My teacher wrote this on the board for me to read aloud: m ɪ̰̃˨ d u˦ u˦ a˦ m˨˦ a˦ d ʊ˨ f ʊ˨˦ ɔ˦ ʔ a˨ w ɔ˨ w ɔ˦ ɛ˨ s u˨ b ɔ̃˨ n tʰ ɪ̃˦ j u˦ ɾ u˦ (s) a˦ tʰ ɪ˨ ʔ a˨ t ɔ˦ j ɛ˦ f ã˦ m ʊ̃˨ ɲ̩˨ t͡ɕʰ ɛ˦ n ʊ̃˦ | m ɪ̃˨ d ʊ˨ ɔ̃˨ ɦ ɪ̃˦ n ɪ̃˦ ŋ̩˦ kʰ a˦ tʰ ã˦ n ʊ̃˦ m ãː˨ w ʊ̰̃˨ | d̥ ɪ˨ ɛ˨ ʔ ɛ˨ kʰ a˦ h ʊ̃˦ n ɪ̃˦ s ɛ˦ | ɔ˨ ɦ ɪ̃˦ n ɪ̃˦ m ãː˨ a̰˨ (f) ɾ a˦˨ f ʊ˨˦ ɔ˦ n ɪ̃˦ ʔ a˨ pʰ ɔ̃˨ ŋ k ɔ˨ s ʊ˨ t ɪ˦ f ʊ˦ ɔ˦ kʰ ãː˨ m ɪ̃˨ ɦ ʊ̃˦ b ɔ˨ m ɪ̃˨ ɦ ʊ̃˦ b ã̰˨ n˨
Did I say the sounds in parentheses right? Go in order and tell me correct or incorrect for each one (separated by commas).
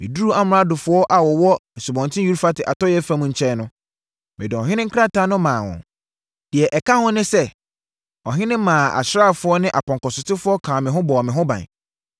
incorrect, incorrect